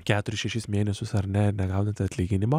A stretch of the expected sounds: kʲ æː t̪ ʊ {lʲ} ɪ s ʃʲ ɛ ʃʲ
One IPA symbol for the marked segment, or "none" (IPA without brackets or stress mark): ɾʲ